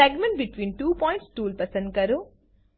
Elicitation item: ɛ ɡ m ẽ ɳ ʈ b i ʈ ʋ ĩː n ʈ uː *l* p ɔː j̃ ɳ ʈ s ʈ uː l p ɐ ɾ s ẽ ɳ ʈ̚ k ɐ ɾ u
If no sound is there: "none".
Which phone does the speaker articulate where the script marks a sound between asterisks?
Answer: none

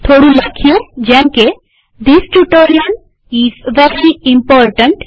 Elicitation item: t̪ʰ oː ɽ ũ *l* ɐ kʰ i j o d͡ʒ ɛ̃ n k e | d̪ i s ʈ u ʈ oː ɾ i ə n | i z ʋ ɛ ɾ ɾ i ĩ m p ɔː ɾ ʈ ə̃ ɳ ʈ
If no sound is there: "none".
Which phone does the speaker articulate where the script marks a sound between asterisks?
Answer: l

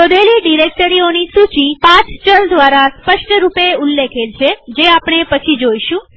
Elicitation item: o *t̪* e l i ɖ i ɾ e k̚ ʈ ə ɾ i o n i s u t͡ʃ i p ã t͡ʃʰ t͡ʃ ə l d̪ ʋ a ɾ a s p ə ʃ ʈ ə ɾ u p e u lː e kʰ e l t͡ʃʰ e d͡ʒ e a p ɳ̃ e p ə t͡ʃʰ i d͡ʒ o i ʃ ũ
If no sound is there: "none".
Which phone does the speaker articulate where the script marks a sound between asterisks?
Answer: d̪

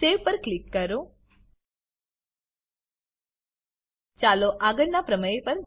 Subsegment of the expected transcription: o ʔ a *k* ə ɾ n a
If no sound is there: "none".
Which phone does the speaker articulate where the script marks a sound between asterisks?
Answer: ɡ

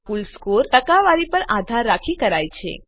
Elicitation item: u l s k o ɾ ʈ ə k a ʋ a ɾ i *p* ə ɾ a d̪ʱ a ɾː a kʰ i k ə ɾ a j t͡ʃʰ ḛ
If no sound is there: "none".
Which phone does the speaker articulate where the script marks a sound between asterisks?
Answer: p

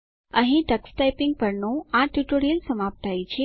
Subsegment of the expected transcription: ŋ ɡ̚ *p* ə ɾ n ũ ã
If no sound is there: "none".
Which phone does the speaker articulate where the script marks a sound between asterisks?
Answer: p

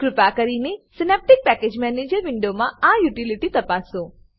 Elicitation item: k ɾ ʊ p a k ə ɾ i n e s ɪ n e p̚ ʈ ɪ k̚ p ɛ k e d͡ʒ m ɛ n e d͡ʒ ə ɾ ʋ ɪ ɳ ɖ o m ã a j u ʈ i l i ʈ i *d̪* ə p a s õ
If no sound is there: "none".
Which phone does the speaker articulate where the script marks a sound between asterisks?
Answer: t̪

